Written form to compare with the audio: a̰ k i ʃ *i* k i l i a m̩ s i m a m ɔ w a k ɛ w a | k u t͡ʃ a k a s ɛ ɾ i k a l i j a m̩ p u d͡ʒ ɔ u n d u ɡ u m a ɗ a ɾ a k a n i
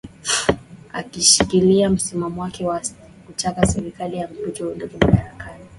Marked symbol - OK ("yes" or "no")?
yes